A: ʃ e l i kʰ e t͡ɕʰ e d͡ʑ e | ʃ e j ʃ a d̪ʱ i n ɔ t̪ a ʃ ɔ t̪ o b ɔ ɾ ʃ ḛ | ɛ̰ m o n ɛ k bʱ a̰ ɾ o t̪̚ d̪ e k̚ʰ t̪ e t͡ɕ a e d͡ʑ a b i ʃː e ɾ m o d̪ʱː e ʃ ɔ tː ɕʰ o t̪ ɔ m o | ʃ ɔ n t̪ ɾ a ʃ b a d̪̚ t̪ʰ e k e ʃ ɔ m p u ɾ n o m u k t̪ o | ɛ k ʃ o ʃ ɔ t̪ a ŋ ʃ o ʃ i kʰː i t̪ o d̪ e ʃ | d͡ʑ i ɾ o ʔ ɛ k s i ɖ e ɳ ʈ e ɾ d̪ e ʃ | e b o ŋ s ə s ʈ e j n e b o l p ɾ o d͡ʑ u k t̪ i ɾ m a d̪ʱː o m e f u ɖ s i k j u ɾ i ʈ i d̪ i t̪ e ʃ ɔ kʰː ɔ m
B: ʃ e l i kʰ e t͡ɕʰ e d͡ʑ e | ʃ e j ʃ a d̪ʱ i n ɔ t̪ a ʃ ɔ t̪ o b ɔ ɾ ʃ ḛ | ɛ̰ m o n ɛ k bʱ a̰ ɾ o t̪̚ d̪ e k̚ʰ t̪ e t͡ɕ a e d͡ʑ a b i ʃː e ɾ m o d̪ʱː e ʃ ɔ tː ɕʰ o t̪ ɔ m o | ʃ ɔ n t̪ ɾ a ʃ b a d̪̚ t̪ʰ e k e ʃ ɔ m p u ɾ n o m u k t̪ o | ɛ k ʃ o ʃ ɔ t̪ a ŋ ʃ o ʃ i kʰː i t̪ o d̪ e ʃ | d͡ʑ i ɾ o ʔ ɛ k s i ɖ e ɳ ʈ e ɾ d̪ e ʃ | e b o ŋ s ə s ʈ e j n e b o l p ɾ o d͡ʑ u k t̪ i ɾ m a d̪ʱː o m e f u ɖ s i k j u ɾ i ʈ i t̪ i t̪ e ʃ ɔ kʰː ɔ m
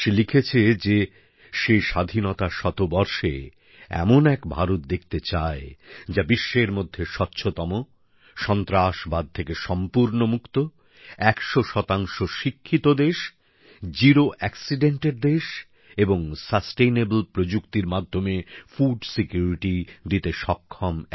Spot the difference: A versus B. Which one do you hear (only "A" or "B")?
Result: A